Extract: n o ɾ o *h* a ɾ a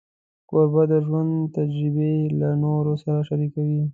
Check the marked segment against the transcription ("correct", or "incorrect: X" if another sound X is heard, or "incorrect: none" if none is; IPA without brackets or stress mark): incorrect: s